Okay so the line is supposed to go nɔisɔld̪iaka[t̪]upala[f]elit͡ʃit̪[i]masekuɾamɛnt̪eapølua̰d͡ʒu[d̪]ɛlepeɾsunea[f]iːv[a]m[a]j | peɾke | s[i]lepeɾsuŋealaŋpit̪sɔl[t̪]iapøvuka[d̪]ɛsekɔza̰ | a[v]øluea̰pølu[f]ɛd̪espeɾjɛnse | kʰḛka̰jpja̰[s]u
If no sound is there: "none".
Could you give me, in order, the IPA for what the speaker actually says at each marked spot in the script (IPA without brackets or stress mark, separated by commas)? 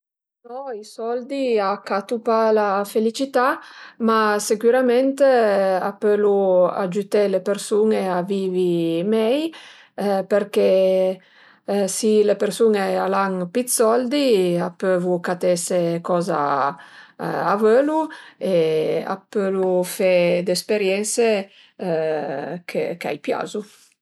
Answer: t̪, f, a, t̪, v, i, ɛ, i, d̪, t̪, v, f, z